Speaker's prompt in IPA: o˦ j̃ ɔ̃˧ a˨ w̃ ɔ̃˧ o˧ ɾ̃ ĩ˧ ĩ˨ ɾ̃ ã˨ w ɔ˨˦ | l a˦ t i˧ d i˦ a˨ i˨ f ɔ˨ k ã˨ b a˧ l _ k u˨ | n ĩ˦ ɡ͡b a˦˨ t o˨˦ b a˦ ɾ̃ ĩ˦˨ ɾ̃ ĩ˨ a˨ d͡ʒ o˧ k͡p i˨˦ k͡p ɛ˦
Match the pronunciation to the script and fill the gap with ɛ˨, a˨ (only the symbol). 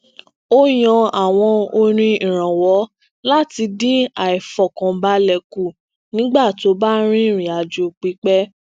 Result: ɛ˨